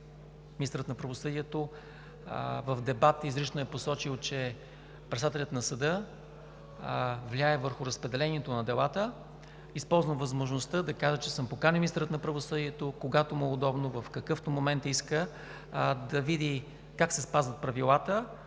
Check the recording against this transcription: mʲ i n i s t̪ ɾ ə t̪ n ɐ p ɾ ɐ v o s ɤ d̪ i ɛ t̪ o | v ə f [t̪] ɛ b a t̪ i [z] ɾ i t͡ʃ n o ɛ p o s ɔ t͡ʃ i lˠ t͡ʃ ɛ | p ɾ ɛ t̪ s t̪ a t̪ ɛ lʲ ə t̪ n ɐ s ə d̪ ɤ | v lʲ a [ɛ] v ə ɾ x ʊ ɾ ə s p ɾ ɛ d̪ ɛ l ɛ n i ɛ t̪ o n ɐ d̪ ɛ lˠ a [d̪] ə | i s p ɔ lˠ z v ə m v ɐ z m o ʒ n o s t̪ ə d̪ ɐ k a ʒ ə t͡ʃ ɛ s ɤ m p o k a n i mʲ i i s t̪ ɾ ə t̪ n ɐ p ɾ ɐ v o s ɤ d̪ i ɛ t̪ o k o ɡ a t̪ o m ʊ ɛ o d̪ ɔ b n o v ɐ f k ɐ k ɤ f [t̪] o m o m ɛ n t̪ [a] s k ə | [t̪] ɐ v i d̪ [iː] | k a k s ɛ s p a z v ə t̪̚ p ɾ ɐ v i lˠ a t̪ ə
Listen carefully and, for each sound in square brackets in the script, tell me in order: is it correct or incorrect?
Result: incorrect, correct, correct, incorrect, correct, incorrect, incorrect, incorrect

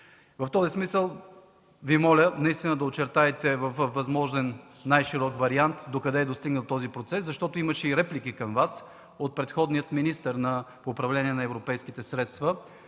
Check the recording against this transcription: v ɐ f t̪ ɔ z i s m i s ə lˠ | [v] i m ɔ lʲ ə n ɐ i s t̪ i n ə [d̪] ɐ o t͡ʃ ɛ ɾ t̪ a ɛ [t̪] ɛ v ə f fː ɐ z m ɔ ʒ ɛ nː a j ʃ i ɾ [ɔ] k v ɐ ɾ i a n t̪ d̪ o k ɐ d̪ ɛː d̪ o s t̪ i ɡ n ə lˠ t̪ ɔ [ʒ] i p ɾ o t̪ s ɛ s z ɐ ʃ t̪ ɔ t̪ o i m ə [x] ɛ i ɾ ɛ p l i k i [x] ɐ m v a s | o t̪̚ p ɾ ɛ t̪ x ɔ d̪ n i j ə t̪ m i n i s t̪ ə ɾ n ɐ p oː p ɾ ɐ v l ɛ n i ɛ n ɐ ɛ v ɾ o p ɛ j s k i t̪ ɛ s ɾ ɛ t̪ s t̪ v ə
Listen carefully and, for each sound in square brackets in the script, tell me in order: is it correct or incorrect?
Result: correct, correct, correct, correct, incorrect, incorrect, incorrect

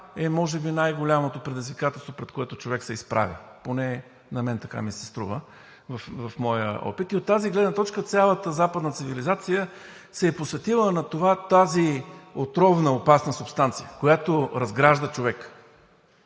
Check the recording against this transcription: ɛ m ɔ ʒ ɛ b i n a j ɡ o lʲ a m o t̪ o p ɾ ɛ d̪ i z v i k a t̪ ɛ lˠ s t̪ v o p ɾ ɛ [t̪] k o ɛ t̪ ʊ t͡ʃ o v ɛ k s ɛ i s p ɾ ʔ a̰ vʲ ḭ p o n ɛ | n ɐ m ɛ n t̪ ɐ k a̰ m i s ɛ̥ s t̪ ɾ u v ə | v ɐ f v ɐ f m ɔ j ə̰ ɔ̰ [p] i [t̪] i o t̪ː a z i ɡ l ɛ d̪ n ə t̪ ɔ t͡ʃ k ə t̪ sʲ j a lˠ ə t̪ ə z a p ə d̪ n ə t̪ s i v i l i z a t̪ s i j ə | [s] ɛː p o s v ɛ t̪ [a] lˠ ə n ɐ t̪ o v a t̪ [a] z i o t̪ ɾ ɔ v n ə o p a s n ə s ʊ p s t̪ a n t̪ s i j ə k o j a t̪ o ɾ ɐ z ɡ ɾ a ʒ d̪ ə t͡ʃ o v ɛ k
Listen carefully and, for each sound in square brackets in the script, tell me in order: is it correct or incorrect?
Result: correct, correct, correct, correct, incorrect, correct

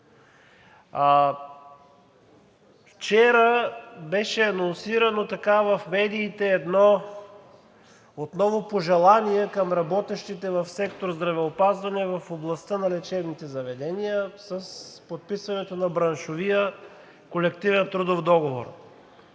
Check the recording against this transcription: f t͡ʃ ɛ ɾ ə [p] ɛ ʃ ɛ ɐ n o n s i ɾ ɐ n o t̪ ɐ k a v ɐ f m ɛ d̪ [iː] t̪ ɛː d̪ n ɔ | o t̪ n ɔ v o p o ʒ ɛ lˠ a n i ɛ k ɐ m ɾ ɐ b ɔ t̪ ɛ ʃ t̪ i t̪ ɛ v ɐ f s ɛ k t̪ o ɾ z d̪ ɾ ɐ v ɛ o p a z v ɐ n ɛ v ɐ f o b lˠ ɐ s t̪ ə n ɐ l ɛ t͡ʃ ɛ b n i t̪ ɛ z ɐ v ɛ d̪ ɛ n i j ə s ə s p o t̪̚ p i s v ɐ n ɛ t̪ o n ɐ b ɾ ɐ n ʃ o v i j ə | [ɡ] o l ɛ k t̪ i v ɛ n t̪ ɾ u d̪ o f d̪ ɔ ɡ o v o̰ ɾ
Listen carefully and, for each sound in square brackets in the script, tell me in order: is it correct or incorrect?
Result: incorrect, correct, incorrect

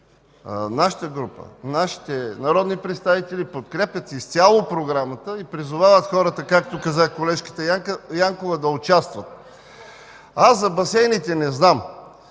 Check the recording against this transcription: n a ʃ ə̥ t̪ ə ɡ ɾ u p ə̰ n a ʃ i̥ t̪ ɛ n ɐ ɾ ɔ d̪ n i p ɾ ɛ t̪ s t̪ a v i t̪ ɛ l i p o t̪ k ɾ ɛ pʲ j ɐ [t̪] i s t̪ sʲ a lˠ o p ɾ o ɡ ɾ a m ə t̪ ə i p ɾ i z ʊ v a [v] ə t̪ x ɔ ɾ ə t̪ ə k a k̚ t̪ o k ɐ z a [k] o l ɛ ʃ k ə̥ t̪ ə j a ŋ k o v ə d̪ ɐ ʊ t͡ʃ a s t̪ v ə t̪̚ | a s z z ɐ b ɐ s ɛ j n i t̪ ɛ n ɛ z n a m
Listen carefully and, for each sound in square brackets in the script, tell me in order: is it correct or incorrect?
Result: correct, correct, correct

